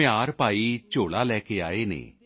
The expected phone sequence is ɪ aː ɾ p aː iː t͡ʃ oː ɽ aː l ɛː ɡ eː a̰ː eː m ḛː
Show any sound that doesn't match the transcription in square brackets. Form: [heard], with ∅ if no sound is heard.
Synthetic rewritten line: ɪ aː ɾ p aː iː t͡ʃ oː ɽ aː l ɛː [k] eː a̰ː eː [n] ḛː